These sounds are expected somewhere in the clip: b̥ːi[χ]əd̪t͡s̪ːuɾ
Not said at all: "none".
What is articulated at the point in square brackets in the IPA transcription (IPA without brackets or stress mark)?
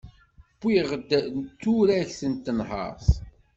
ʁ